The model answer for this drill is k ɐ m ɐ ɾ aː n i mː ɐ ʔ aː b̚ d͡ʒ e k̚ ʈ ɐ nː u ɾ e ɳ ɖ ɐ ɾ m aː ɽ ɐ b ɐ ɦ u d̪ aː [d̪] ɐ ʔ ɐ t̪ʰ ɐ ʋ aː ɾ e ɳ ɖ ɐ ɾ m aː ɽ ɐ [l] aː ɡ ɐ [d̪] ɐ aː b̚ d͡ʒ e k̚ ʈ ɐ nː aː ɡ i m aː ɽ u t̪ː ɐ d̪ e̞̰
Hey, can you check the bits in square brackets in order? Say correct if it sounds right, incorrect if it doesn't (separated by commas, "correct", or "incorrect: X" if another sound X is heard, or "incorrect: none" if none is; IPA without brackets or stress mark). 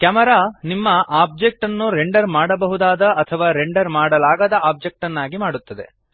correct, correct, correct